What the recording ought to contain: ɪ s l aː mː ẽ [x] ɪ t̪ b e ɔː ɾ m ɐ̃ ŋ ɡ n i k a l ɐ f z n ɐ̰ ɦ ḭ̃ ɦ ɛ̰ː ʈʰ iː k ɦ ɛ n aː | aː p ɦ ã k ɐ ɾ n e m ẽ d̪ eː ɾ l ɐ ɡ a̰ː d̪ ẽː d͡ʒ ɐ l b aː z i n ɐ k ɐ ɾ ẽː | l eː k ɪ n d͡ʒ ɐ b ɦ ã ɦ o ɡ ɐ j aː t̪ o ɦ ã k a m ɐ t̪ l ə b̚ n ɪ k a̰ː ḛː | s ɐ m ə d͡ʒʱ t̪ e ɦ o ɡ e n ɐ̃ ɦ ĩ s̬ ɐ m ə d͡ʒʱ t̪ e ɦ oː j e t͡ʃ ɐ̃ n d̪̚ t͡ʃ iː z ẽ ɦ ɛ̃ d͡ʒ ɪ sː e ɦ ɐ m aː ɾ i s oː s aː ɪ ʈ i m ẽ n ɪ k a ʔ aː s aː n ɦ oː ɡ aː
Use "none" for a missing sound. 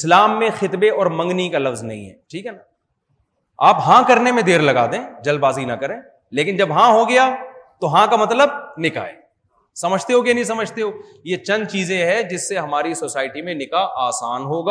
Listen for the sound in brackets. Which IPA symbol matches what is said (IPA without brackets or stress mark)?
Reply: x